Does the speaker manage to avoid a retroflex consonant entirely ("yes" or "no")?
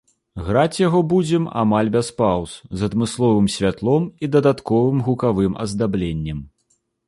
yes